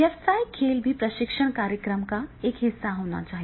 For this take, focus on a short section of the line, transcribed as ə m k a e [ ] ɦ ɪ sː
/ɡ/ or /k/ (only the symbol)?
k